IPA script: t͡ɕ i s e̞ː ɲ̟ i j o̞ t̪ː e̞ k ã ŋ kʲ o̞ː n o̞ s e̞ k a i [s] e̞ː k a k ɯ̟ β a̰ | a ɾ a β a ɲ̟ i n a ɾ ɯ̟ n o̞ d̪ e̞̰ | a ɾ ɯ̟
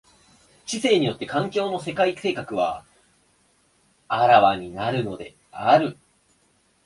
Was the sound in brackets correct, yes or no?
yes